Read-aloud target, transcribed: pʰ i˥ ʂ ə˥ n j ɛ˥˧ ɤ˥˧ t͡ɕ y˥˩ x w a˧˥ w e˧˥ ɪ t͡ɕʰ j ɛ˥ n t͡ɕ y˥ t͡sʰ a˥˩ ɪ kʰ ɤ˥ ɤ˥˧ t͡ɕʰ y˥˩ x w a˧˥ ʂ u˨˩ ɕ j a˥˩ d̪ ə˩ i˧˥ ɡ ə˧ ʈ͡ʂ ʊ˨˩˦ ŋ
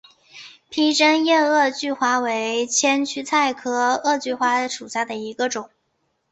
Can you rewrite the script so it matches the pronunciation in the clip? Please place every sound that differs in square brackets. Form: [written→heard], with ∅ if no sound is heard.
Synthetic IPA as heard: pʰ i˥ [ʂ→ʈ͡ʂ] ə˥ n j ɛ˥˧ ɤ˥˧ t͡ɕ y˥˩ x w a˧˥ w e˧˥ ɪ t͡ɕʰ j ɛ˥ n [t͡ɕ→t͡ɕʰ] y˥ t͡sʰ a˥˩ ɪ kʰ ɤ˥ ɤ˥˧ [t͡ɕʰ→t͡ɕ] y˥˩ x w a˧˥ ʂ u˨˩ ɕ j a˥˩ d̪ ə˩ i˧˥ ɡ ə˧ ʈ͡ʂ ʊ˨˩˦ ŋ